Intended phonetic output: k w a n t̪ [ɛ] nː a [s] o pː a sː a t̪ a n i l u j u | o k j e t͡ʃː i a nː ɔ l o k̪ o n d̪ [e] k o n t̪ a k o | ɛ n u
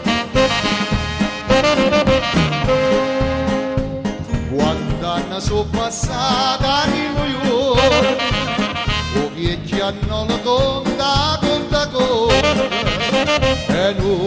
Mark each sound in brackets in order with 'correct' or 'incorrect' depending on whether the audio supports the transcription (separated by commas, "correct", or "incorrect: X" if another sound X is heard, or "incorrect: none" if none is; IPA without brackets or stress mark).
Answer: incorrect: a, correct, incorrect: a